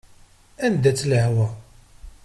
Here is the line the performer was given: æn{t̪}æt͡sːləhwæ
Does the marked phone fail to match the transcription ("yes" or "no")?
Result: yes